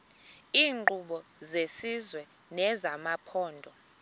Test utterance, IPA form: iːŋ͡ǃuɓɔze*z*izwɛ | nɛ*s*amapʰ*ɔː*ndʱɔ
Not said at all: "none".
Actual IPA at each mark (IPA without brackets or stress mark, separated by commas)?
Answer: s, z, ɔː